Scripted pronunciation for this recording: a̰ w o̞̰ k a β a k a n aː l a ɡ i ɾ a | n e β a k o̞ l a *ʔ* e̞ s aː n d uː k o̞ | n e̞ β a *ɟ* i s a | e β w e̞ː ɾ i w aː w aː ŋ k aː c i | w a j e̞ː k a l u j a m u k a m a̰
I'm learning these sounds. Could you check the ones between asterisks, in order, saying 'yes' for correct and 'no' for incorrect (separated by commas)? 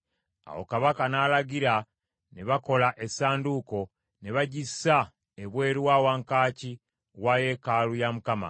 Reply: yes, yes